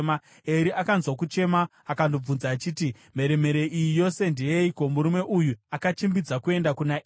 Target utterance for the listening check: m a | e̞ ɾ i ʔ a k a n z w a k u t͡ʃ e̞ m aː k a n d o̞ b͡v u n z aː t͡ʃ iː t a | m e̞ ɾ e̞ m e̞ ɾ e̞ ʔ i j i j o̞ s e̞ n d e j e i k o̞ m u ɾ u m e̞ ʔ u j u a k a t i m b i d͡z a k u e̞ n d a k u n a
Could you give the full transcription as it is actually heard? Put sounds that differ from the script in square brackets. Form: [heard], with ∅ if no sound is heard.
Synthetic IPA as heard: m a | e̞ ɾ i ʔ a k a n z w a k u t͡ʃ e̞ m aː k a n d o̞ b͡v u n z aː t͡ʃ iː t [i] | m e̞ ɾ e̞ m e̞ ɾ e̞ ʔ i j i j o̞ s e̞ n d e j e i k o̞ m u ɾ u m e̞ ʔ u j u a k a [t͡ʃ] i m b i d͡z a k u e̞ n d a k u n a